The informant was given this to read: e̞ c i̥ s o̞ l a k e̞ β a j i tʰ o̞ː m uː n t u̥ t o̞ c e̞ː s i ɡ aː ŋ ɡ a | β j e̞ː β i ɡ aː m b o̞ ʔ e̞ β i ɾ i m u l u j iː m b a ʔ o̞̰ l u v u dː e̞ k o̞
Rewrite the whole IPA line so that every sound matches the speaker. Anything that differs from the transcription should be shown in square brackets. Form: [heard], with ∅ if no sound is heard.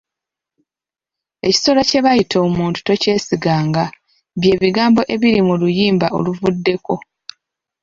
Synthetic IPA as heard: e̞ c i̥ s o̞ l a [c] e̞ β a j i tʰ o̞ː m uː n t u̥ t o̞ c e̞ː s i ɡ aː ŋ ɡ a | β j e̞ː β i ɡ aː m b o̞ ʔ e̞ β i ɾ i m u l u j iː m b a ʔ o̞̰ l u v u dː e̞ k o̞